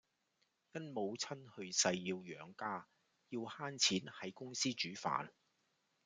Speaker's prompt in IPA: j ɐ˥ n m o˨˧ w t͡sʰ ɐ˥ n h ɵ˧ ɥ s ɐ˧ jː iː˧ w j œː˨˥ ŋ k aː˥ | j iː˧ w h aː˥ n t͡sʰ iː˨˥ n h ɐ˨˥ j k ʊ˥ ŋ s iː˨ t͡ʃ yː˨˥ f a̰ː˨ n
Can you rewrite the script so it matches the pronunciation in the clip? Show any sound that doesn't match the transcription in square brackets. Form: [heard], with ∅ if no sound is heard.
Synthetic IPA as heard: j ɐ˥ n m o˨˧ w t͡sʰ ɐ˥ n h ɵ˧ ɥ s ɐ˧ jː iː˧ w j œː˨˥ ŋ k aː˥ | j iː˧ w h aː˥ n t͡sʰ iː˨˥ n h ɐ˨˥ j k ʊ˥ ŋ s [iː˥] t͡ʃ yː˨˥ f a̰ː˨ n